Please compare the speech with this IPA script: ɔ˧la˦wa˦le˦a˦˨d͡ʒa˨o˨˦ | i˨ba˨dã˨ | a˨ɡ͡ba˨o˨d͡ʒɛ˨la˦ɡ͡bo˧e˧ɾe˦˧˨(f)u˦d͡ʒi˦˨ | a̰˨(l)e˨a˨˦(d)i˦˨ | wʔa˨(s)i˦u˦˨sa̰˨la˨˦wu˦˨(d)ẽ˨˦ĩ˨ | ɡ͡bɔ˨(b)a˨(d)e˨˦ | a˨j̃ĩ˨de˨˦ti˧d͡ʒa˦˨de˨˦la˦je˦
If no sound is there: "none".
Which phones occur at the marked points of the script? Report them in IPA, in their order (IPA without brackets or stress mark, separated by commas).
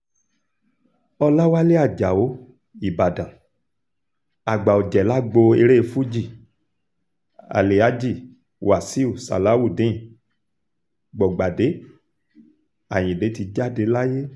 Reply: f, l, d͡ʒ, s, d, ɡ͡b, d